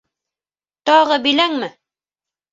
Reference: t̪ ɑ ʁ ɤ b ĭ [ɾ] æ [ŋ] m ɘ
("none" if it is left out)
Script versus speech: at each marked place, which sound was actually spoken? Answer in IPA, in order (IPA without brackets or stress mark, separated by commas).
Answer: l, ŋ